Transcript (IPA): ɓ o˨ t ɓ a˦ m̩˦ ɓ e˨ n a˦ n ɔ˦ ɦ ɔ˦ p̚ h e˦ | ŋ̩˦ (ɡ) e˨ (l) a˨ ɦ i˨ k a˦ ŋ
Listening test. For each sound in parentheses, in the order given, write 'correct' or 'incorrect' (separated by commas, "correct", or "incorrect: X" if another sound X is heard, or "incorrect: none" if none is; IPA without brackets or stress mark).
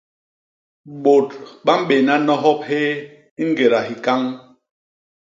correct, incorrect: ɾ